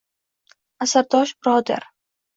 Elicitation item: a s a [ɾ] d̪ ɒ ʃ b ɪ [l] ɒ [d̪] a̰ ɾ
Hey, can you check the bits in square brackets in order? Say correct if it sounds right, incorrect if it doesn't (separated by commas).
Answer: correct, incorrect, correct